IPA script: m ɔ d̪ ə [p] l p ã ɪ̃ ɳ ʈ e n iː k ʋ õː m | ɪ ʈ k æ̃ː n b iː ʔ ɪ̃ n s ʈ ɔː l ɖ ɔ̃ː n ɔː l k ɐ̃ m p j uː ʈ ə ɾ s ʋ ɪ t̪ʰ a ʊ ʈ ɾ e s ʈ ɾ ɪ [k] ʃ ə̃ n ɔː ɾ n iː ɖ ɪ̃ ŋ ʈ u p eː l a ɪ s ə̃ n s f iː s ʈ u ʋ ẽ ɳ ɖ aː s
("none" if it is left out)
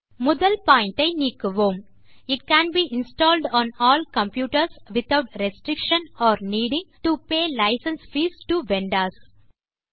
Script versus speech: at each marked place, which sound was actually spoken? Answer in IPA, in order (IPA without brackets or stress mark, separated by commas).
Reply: none, k